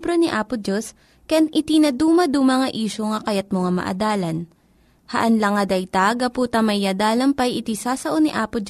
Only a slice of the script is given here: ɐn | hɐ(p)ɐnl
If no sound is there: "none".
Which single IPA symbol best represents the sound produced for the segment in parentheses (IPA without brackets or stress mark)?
ʔ